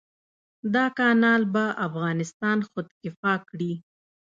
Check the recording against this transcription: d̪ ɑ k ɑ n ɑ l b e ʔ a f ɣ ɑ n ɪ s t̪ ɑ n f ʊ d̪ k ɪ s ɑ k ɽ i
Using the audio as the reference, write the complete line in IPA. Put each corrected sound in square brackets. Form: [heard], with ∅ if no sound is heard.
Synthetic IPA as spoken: d̪ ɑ k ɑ n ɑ l b [a] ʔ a f ɣ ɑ n ɪ s t̪ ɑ n [x] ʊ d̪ k ɪ [f] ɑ k ɽ i